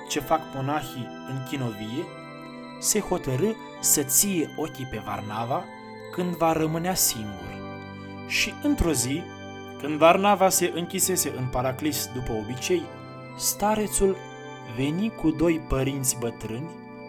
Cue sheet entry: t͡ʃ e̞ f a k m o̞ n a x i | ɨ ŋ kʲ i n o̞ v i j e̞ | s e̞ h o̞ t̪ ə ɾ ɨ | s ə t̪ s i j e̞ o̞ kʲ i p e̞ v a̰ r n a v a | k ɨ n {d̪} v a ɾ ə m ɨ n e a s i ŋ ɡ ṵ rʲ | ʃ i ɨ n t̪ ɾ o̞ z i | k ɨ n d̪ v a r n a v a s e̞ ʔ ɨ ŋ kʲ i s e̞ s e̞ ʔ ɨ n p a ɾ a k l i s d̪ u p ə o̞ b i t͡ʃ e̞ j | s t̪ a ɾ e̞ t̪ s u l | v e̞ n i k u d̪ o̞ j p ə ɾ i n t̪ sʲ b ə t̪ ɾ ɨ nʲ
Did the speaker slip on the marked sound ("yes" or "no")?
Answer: no